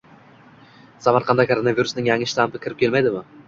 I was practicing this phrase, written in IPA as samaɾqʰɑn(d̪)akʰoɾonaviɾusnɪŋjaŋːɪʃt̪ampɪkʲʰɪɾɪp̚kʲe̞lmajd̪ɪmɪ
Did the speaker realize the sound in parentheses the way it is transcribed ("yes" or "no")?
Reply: yes